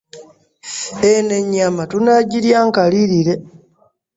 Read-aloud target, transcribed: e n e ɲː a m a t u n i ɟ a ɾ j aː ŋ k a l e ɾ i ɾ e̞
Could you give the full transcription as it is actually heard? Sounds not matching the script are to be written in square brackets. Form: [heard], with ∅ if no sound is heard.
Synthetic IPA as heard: e n e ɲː a m a t u n [a] ɟ [i] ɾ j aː ŋ k a l [i] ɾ i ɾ e̞